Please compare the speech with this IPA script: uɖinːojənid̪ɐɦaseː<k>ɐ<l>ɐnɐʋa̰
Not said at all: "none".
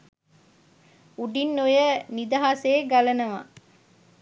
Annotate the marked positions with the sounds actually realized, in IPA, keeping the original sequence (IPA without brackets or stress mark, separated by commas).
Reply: ɡ, l